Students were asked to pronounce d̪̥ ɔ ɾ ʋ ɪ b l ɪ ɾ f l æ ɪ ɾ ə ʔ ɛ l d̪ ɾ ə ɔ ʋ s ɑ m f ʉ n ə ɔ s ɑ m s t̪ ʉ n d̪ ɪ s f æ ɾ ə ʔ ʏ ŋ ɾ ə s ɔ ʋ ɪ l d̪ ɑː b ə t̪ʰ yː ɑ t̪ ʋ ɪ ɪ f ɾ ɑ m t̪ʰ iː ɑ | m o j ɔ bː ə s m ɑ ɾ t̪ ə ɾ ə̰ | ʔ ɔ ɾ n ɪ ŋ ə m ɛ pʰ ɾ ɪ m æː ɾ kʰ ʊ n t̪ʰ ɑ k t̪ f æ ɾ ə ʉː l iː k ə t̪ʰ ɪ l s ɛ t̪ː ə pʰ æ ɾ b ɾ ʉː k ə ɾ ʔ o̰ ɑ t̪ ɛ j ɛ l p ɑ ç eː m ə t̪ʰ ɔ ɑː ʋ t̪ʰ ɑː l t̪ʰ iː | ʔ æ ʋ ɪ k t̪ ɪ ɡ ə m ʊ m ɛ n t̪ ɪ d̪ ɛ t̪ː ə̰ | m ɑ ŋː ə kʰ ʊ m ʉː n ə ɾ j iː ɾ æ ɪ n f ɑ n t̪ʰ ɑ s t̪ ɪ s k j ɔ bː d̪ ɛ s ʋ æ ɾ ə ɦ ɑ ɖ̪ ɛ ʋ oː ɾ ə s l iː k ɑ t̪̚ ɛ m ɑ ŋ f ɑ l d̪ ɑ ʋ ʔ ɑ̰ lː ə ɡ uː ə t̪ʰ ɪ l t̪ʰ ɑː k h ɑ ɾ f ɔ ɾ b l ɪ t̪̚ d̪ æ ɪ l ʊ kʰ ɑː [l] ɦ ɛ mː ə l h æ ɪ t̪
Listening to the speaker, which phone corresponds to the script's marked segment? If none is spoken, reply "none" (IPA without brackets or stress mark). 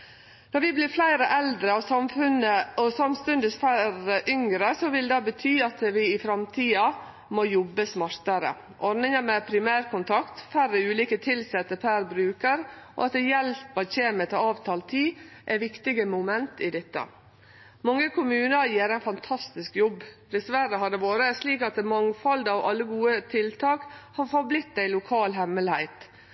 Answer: l